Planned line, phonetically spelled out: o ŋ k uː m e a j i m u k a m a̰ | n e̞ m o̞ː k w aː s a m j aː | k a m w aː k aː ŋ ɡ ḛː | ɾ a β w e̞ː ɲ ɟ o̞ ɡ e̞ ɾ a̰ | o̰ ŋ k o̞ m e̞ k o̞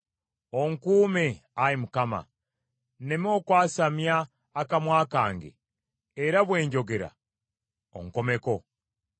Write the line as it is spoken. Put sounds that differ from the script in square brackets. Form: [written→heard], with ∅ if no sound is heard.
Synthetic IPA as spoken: o ŋ k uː m e a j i m u k a m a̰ | n e̞ m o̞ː k w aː s a m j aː | k a m w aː k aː ŋ ɡ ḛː | ɾ a β w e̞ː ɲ ɟ o̞ ɡ e̞ ɾ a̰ | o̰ ŋ k o̞ m e̞ k o̞